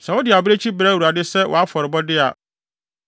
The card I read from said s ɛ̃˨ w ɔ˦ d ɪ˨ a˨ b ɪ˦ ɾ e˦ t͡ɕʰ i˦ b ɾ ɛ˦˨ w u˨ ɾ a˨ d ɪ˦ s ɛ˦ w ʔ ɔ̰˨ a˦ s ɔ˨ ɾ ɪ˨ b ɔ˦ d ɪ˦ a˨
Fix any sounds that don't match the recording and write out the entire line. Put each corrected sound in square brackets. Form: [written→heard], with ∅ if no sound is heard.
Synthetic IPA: s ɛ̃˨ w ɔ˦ d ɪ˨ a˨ b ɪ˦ ɾ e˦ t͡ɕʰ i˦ b ɾ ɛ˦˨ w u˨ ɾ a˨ d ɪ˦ s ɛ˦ w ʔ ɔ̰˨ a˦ [s→f] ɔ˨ ɾ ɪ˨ b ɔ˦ d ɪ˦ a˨

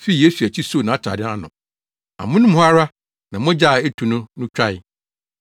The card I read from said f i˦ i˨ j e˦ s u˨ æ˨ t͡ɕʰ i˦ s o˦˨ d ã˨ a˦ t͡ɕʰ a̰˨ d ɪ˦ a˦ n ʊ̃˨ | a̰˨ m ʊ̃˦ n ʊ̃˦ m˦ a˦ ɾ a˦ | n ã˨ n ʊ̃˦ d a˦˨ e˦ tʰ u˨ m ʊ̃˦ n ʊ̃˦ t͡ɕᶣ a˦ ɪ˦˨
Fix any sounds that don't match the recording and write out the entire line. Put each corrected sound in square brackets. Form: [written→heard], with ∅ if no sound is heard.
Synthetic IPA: f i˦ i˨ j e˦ s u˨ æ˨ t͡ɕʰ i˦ s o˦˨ [d→n] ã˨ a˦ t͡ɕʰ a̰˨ d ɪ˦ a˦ n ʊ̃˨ | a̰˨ m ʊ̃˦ n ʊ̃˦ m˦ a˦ ɾ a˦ | n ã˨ [n→m] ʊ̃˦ [d→d͡ʑ] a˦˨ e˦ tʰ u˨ [m→n] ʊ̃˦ n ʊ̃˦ t͡ɕᶣ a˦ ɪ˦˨

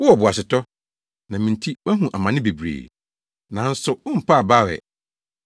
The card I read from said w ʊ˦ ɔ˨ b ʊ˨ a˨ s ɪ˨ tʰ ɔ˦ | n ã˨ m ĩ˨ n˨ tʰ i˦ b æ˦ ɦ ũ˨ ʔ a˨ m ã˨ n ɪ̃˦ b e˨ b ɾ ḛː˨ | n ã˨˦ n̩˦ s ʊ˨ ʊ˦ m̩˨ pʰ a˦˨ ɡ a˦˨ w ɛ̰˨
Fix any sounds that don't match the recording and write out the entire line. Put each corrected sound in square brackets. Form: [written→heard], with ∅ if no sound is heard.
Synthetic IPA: w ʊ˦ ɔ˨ b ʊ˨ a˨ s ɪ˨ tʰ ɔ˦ | n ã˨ m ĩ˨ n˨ tʰ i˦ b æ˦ ɦ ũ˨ ʔ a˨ m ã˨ n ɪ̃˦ b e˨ b ɾ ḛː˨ | n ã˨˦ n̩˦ s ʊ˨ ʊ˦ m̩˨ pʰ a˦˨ [ɡ→b] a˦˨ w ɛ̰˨

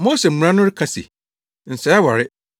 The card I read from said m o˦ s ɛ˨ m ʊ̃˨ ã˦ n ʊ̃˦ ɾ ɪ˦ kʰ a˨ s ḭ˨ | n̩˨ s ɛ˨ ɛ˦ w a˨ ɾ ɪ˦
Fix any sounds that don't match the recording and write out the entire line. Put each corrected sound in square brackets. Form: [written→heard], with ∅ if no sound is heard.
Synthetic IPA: m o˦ s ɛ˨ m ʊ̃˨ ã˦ n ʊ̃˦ ɾ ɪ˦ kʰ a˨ s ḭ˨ | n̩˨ s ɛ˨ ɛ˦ w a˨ ɾ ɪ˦

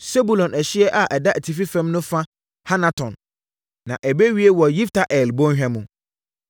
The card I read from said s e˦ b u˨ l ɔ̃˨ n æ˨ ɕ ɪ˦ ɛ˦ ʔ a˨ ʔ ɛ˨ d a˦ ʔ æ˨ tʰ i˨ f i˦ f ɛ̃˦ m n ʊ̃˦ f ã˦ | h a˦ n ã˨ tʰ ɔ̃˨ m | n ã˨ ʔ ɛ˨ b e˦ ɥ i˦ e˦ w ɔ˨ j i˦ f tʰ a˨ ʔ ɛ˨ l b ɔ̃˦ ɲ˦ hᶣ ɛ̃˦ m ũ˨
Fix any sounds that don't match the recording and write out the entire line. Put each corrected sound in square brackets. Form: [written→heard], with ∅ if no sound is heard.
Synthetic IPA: s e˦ b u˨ l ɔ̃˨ n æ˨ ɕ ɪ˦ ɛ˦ ʔ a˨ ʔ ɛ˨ d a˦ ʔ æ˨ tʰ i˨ f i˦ f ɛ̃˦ m n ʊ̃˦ f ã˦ | h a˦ n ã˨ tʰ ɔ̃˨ [m→n] | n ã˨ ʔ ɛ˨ b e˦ ɥ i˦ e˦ w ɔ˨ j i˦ f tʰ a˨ ʔ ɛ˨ l b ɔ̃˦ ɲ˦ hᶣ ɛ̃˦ m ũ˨

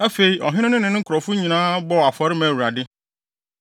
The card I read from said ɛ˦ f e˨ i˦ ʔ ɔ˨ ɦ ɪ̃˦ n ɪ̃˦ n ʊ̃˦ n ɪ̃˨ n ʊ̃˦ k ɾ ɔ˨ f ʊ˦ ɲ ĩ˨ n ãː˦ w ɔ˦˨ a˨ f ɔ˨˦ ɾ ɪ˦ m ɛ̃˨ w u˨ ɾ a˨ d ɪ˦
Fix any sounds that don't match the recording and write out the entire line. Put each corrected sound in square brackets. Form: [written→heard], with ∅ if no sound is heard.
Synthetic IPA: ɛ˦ f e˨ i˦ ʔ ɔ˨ ɦ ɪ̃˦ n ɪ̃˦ n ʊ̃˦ n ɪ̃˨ n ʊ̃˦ k ɾ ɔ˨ f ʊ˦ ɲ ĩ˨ n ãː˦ [w→b] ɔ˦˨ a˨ f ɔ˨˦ ɾ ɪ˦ m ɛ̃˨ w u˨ ɾ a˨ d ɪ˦

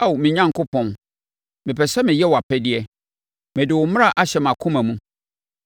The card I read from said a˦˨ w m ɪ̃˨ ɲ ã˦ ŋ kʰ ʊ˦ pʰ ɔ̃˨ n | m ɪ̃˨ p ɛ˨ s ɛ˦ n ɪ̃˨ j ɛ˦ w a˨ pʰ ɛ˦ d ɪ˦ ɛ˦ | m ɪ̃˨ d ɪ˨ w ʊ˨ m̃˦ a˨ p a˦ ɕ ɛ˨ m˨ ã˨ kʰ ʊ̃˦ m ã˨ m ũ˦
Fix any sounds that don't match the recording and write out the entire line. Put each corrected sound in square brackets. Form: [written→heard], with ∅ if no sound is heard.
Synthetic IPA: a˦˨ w m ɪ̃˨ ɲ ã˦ ŋ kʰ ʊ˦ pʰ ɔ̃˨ n | m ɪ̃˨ p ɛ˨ s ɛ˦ [n→m] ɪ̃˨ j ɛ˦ w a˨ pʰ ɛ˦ d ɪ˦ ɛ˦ | m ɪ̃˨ d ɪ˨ w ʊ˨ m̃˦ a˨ [p→ʔ] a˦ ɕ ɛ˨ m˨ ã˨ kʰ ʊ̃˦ m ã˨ m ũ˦

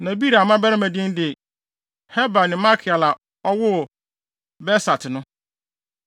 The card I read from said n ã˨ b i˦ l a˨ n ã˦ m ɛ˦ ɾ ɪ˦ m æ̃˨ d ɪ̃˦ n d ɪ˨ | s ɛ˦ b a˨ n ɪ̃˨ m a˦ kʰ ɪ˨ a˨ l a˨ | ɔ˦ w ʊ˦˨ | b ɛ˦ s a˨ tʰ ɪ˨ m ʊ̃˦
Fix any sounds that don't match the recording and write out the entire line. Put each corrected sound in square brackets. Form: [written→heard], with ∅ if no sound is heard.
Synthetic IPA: n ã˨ b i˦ [l→ɾ] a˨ [n→m] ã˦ [m→b] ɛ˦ ɾ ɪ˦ m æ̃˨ d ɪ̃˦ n d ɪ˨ | [s→h] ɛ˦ b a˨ n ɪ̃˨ m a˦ kʰ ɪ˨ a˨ l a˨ | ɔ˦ w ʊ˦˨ | b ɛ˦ s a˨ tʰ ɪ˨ [m→n] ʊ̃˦

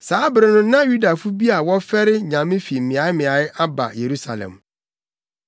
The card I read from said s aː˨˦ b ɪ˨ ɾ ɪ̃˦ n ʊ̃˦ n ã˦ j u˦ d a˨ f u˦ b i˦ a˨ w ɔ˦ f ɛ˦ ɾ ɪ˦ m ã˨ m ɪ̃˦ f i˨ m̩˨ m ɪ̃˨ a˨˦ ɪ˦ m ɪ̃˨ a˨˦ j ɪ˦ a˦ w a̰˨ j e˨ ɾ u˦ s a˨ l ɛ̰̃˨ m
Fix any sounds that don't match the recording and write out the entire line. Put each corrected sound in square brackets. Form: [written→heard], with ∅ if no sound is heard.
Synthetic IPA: s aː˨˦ b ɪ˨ ɾ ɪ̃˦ n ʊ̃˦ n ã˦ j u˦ d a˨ f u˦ b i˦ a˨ w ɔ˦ f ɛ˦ ɾ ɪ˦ [m→ɲ] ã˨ m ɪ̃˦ f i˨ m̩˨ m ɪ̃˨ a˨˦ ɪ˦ m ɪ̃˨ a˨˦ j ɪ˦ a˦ [w→b] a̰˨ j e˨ ɾ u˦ s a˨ l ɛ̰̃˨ m

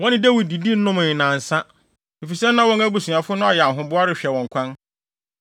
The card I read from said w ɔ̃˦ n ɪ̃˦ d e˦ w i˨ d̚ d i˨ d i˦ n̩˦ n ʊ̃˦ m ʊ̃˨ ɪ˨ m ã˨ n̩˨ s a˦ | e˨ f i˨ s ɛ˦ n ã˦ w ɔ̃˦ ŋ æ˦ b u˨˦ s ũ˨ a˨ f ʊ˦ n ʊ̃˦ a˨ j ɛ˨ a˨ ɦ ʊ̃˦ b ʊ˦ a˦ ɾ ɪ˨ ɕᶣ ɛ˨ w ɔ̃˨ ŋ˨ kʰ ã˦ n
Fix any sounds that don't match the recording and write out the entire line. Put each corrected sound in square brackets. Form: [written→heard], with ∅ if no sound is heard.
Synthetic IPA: w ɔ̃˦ n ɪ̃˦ d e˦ w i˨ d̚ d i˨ d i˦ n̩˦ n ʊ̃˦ m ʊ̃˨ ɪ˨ [m→n] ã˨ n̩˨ s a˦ | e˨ f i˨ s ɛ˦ n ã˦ w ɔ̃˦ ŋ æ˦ b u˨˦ s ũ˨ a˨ f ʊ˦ n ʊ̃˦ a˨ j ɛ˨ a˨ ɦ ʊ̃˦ b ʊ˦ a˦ ɾ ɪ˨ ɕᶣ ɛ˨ w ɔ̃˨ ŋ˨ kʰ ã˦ n

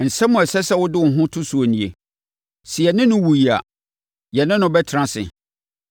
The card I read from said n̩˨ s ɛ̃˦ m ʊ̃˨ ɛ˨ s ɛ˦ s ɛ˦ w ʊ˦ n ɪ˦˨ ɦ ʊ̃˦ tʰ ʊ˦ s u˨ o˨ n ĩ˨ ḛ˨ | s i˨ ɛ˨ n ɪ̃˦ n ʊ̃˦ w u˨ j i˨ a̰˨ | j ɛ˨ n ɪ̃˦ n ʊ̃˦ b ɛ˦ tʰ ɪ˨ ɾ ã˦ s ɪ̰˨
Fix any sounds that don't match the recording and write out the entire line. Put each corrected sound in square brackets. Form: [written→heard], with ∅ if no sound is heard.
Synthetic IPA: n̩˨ s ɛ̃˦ m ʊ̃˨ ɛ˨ s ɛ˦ s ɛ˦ w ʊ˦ [n→d] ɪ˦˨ ɦ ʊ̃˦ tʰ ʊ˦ s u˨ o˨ n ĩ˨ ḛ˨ | s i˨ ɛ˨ n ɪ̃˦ n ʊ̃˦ w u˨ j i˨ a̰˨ | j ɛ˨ n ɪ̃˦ n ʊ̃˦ b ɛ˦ tʰ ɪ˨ ɾ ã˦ s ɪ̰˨

